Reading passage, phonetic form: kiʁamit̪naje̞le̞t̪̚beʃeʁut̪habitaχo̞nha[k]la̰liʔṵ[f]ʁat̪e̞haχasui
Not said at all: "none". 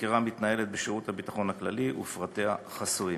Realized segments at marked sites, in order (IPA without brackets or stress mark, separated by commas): k, f